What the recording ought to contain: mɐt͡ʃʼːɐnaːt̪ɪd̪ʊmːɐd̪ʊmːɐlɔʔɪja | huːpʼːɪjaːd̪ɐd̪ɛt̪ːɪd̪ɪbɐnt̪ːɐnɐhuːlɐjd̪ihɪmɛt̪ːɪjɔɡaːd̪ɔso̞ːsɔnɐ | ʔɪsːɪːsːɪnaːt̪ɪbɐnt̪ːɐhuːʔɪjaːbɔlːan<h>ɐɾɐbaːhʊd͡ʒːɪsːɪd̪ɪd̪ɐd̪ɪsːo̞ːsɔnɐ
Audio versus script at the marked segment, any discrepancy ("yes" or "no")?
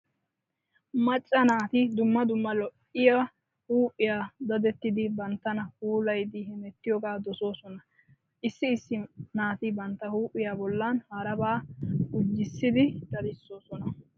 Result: no